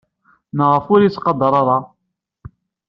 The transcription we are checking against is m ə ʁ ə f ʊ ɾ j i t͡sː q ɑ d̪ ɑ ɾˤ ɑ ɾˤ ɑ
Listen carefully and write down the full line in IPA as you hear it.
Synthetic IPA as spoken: n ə ʁ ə f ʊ ɾ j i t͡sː q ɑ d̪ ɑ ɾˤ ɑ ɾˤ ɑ